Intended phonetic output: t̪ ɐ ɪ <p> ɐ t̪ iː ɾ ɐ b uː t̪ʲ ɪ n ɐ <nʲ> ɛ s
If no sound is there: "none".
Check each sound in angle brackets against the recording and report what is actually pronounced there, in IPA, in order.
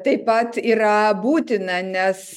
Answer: p, nʲ

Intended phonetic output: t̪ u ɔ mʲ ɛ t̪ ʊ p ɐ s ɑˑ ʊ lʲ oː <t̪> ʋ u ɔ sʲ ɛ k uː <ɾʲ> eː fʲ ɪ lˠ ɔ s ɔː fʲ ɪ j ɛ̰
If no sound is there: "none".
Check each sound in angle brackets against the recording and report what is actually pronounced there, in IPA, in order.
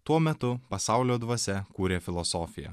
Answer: d̪, ɾʲ

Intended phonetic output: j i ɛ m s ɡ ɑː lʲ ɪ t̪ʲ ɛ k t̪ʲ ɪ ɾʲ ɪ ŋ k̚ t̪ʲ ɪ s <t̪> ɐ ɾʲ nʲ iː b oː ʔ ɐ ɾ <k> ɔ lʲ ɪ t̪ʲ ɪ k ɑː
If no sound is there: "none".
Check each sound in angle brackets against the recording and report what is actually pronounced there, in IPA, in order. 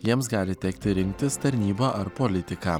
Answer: t̪, p

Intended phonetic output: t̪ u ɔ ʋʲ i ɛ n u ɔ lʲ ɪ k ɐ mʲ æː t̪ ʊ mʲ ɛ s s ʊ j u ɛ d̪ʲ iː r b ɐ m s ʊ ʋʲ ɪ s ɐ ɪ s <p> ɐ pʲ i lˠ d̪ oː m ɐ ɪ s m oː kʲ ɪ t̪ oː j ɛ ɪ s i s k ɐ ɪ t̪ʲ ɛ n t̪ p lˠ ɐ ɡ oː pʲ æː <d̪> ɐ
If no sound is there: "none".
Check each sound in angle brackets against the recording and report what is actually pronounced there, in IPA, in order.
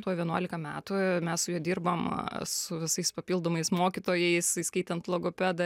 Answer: p, d̪

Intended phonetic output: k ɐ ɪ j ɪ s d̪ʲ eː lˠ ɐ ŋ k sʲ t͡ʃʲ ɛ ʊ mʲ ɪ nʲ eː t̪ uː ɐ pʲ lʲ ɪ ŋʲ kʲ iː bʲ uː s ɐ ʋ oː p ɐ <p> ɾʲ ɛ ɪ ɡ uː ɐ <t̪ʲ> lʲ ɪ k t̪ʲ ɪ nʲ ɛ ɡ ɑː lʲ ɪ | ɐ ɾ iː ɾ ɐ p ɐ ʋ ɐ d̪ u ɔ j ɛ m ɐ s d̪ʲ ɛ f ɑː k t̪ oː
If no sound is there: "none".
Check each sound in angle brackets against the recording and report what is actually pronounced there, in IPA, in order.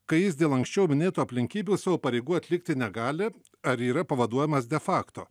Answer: none, t̪ʲ

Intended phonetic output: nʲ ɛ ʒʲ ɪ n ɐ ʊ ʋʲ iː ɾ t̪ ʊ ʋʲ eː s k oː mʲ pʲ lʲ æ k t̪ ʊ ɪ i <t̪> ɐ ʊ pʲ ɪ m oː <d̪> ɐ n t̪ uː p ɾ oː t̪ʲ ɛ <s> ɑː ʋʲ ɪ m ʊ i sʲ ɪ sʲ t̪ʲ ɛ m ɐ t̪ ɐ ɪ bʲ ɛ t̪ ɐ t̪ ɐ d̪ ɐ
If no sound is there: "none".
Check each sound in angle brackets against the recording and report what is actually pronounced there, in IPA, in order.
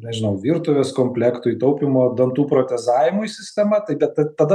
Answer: t̪, d̪, z

